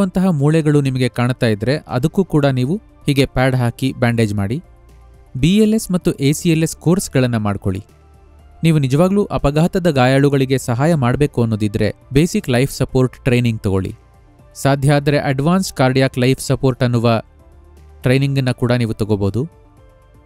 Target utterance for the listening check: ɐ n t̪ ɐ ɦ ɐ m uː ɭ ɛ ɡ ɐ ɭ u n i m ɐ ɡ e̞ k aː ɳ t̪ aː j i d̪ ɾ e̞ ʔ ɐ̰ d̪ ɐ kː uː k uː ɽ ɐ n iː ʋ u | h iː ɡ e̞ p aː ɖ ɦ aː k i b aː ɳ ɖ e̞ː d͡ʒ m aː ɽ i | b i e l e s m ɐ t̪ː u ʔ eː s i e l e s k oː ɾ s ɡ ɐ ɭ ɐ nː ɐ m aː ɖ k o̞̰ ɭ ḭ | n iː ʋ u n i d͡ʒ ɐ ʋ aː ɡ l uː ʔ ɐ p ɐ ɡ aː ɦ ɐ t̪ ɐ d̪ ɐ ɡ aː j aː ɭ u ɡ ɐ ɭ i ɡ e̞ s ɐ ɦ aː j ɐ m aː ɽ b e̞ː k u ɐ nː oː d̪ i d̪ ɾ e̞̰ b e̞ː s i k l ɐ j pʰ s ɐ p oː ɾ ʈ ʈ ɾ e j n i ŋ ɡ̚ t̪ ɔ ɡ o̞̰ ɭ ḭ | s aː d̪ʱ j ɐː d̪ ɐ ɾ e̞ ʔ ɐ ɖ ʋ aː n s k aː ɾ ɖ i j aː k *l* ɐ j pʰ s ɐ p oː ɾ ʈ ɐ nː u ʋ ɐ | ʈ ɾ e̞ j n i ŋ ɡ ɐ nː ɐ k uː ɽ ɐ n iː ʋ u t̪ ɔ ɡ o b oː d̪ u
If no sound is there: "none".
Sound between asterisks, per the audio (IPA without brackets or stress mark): l